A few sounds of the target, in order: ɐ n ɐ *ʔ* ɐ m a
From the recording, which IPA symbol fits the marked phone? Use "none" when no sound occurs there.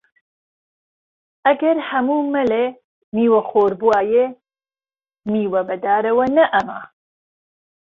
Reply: ʔ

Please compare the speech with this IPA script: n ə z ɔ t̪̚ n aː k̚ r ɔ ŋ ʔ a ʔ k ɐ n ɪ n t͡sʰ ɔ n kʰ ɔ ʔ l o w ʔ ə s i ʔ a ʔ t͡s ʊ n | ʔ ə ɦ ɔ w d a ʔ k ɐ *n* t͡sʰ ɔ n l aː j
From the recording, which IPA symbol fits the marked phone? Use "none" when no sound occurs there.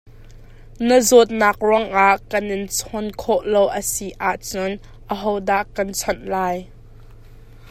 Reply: n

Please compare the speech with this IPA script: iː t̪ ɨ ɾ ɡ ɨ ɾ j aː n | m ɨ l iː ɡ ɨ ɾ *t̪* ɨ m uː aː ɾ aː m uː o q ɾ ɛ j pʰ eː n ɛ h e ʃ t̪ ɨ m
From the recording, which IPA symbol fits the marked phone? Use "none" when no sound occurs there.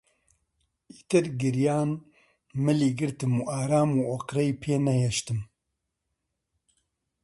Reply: t̪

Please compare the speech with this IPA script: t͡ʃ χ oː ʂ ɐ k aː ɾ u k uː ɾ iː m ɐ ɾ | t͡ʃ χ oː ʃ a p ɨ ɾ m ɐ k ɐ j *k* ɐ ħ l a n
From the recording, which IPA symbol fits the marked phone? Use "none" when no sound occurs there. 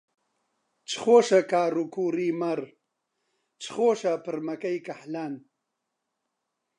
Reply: k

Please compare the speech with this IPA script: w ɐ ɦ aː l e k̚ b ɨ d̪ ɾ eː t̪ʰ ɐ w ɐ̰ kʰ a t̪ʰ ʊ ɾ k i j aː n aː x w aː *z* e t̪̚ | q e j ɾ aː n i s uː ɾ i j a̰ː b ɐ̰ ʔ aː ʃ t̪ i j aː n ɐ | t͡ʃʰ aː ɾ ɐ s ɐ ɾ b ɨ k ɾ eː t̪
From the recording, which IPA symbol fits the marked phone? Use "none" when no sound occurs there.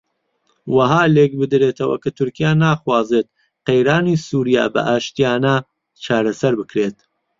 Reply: z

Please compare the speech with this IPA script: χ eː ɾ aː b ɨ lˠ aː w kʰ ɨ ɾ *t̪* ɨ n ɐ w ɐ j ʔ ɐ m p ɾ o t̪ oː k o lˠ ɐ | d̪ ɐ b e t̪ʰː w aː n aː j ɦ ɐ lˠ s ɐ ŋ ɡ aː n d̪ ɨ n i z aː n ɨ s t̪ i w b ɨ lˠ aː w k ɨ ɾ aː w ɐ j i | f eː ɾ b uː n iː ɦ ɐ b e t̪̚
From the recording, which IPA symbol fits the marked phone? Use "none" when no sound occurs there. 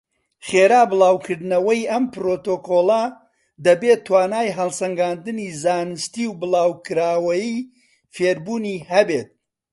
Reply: d̪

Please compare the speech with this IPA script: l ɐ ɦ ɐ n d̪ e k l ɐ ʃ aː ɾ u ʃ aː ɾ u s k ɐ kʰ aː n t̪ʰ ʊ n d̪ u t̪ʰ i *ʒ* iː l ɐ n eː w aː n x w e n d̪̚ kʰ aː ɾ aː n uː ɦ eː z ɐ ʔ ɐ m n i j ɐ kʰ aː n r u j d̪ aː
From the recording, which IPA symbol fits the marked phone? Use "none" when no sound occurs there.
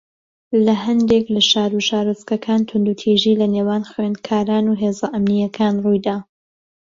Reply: ʒ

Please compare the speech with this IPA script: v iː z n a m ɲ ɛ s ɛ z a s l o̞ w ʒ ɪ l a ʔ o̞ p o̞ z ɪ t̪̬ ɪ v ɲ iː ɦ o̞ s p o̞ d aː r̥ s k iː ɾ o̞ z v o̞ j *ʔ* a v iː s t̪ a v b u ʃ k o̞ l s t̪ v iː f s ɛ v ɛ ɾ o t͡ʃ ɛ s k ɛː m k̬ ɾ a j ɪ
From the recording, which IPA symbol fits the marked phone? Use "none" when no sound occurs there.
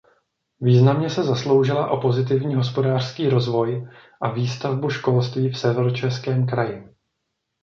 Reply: ʔ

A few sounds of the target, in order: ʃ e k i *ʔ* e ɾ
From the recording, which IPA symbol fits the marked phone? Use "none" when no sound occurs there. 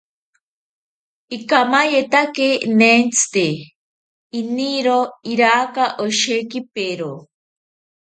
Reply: p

